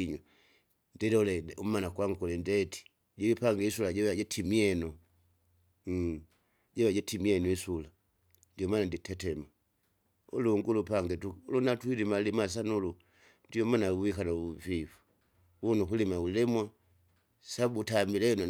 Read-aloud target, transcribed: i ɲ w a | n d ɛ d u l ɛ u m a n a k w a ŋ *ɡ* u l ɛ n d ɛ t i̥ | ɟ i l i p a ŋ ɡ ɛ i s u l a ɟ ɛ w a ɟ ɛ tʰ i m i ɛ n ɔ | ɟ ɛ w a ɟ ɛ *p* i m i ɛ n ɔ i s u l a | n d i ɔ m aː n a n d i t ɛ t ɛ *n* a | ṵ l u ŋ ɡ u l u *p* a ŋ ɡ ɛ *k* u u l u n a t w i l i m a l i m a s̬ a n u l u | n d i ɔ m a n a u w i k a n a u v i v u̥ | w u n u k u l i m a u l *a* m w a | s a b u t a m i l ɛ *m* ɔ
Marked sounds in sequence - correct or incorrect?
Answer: incorrect, incorrect, incorrect, correct, incorrect, incorrect, incorrect

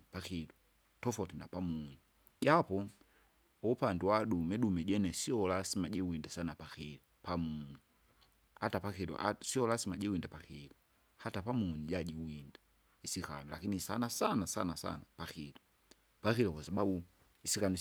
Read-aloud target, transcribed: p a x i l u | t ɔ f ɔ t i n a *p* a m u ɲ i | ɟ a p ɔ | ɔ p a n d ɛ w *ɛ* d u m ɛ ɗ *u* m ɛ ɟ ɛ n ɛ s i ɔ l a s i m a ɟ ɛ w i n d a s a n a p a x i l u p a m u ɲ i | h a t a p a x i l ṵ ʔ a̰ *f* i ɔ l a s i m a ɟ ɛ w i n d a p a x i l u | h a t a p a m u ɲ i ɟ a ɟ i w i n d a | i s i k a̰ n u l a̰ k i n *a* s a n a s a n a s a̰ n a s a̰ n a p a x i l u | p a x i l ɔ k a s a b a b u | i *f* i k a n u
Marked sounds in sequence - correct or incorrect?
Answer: correct, incorrect, correct, incorrect, incorrect, incorrect

